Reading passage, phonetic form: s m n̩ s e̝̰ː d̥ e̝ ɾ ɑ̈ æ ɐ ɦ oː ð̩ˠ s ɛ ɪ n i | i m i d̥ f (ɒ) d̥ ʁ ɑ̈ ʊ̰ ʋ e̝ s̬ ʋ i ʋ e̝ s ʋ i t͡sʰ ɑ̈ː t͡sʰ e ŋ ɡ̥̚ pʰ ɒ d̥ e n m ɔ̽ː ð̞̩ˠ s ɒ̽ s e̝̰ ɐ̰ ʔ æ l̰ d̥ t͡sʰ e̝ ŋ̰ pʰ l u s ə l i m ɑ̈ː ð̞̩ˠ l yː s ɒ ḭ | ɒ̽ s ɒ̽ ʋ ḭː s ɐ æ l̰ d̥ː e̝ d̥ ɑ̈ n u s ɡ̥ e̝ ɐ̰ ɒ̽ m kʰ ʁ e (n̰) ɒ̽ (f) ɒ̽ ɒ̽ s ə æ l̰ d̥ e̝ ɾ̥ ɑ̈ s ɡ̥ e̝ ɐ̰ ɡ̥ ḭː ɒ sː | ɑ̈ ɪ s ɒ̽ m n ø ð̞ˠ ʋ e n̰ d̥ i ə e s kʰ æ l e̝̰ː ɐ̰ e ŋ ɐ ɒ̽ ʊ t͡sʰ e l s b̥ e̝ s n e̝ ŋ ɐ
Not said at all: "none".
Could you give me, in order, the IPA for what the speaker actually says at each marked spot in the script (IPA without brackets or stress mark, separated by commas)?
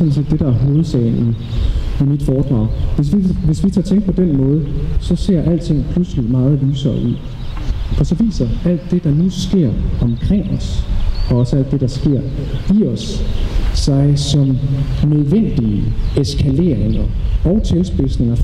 ɒː, ŋ̰, s